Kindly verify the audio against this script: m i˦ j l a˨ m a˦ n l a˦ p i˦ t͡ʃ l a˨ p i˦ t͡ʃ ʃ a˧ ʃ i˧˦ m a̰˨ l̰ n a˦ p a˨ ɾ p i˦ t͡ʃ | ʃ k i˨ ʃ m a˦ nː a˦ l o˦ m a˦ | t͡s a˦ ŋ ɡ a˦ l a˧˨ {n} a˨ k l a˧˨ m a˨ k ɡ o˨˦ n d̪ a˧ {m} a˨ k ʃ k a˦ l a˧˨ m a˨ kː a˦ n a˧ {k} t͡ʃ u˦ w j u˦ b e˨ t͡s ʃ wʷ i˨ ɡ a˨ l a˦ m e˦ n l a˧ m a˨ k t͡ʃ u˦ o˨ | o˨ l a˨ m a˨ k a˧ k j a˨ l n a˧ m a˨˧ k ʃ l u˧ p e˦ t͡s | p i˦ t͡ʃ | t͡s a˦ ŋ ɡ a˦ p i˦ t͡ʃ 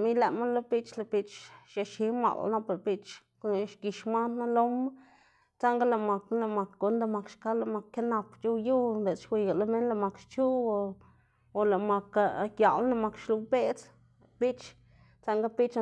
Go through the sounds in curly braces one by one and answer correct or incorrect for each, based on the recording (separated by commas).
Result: incorrect, correct, incorrect